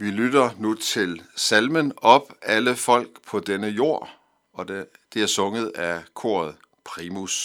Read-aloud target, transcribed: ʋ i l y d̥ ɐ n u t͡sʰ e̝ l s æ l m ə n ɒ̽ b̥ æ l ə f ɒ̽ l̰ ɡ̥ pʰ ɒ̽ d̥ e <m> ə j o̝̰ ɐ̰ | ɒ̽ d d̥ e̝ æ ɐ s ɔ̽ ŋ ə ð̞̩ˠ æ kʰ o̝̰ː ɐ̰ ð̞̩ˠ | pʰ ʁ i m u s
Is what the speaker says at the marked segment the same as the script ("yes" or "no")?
no